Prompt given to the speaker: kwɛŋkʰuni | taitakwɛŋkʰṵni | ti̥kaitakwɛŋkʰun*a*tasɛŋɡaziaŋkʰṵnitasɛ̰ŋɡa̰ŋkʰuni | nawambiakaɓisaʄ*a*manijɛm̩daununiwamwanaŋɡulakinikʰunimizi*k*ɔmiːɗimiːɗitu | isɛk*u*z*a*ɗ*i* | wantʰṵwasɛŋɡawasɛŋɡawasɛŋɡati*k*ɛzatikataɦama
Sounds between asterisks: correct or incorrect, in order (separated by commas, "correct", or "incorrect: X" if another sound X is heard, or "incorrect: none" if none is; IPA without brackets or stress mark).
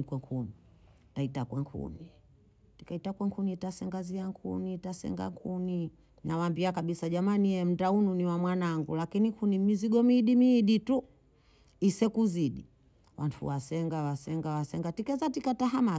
incorrect: i, correct, incorrect: ɡ, correct, incorrect: i, correct, correct